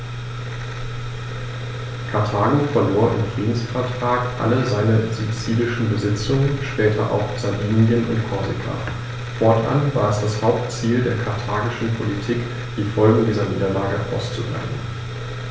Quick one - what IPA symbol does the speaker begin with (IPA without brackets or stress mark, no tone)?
kʰ